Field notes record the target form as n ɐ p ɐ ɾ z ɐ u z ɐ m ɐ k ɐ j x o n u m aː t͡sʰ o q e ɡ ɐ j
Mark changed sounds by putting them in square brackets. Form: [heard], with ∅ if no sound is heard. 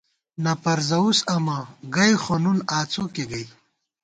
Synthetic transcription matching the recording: n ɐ p ɐ ɾ z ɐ u [s] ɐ m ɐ [ɡ] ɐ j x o n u [n] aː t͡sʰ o [k] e ɡ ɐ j